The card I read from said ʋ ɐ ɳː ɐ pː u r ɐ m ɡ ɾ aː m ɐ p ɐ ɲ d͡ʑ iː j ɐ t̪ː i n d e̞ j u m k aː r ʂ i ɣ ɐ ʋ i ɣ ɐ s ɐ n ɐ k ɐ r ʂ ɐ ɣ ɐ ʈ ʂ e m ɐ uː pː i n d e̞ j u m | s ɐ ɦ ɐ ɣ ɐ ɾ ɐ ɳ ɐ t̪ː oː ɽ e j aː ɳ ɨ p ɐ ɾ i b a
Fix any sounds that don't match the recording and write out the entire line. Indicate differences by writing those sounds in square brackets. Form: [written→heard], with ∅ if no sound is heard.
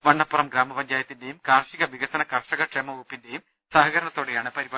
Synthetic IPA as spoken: ʋ ɐ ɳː ɐ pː u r ɐ m ɡ ɾ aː m ɐ p ɐ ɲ d͡ʑ [iː→aː] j ɐ t̪ː i n d e̞ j u m k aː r ʂ i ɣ ɐ ʋ i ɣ ɐ s ɐ n ɐ k ɐ r ʂ ɐ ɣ ɐ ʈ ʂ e m ɐ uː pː i n d e̞ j u m | s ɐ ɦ ɐ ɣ ɐ ɾ ɐ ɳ ɐ t̪ː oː ɽ e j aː ɳ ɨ p ɐ ɾ i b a